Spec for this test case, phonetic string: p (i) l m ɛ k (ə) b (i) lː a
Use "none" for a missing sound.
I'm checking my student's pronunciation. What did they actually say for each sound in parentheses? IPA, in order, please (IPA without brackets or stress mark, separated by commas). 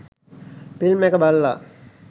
i, ə, a